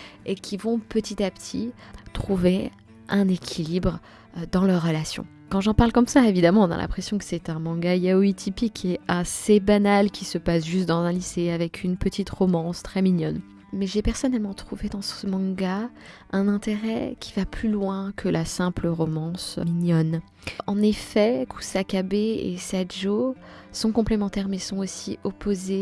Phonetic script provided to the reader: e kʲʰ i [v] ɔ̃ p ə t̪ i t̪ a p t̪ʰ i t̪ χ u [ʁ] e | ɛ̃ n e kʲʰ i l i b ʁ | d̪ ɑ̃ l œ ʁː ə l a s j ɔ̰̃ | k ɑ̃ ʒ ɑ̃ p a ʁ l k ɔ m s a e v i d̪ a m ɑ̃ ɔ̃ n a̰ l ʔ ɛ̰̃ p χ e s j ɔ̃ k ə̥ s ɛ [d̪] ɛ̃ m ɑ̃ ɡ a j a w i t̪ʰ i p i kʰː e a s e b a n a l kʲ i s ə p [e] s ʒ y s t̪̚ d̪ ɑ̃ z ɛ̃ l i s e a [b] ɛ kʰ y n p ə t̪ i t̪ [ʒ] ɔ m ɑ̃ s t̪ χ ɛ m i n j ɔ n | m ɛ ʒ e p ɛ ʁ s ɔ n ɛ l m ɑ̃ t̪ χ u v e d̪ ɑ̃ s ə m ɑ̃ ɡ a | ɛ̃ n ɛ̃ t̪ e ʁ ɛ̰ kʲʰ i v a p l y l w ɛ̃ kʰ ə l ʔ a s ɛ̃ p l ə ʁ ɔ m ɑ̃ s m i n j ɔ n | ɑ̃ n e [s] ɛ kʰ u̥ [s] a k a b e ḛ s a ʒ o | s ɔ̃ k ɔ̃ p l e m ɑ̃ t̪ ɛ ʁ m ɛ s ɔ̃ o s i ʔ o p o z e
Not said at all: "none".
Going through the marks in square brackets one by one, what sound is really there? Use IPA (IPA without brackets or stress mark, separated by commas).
v, v, t̪, a, v, ʁ, f, s